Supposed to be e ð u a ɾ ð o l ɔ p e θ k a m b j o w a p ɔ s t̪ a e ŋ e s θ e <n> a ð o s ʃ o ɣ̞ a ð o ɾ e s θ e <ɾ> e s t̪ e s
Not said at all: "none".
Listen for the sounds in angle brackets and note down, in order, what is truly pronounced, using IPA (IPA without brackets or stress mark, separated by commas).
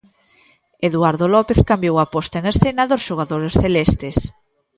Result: n, l